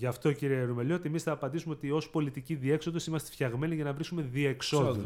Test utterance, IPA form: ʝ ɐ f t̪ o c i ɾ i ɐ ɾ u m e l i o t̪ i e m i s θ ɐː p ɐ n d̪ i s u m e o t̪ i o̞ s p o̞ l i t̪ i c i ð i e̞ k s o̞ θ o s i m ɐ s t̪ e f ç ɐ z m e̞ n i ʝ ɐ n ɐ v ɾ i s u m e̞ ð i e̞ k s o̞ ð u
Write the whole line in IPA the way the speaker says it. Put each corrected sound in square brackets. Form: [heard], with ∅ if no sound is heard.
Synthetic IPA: ʝ ɐ f t̪ o c i ɾ i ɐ ɾ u m e l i o t̪ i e m i s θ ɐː p ɐ n d̪ i s u m e o t̪ i o̞ s p o̞ l i t̪ i c i ð i e̞ k s o̞ [ð] o s i m ɐ s t̪ e f ç ɐ [ɣ] m e̞ n i ʝ ɐ n ɐ v ɾ i s u m e̞ ð i e̞ k s o̞ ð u